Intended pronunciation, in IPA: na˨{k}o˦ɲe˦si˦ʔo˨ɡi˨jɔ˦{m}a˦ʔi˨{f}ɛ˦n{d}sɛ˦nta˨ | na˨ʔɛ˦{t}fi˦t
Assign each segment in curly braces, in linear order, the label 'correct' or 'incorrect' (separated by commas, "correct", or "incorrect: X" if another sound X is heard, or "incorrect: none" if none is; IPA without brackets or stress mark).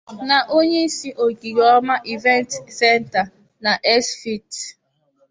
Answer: incorrect: ʔ, correct, incorrect: v, incorrect: t, incorrect: s